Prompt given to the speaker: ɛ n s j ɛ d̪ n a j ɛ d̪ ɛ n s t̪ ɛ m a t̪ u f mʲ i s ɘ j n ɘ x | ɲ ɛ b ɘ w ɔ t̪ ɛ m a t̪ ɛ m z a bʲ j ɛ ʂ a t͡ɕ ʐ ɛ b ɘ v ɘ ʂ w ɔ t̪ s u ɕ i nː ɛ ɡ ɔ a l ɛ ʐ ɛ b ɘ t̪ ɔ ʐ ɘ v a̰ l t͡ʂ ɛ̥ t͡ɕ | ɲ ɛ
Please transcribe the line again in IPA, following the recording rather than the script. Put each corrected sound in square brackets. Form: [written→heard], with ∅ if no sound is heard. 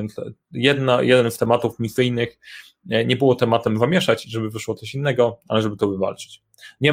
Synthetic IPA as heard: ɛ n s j ɛ d̪ n a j ɛ d̪ ɛ n s t̪ ɛ m a t̪ u f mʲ i s ɘ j n ɘ x | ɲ ɛ b ɘ w ɔ t̪ ɛ m a t̪ ɛ m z a [bʲ→mʲ] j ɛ ʂ a t͡ɕ ʐ ɛ b ɘ v ɘ ʂ w ɔ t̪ s [u→ɔ] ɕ i nː ɛ ɡ ɔ a l ɛ ʐ ɛ b ɘ t̪ ɔ [ʐ→v] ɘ v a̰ l t͡ʂ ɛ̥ t͡ɕ | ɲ ɛ